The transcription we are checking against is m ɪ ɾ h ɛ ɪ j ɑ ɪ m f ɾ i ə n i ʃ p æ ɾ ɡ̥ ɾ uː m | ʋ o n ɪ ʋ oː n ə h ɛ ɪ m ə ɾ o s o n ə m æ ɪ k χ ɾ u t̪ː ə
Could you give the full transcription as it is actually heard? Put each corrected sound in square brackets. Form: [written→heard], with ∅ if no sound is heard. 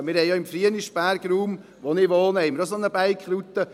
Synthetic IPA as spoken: m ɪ ɾ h ɛ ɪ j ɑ ɪ m f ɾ i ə n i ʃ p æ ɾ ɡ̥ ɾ uː m | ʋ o n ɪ ʋ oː n ə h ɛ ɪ m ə ɾ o s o n ə [m→b] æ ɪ k χ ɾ u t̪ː ə